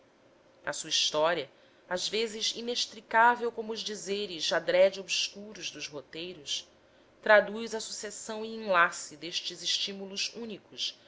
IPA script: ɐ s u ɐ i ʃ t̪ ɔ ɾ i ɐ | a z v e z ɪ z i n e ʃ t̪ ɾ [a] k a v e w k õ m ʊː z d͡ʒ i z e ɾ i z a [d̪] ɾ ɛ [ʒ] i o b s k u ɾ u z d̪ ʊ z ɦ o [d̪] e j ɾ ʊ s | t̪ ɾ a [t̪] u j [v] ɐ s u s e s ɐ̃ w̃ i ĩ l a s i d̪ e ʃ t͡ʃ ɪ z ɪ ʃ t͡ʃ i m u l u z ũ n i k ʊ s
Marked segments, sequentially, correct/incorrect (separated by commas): incorrect, correct, incorrect, incorrect, incorrect, incorrect